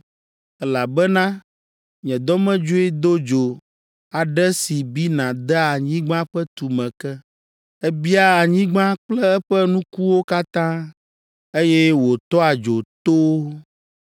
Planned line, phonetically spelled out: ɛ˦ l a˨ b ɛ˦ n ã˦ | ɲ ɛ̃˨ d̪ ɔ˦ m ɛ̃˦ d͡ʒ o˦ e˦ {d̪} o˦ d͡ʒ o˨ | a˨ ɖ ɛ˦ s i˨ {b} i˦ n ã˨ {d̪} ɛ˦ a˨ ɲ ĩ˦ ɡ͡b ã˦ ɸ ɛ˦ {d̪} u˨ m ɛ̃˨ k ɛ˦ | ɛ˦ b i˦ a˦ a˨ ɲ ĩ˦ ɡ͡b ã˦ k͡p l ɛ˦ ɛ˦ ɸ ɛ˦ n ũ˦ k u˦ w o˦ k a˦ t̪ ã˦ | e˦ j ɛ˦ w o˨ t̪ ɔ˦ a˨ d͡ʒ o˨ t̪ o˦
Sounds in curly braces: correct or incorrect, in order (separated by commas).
correct, correct, correct, incorrect